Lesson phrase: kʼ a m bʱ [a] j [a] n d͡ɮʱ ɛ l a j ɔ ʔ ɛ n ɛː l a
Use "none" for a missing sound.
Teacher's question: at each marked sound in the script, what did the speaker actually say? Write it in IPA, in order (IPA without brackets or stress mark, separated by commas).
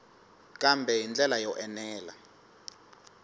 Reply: ɛ, i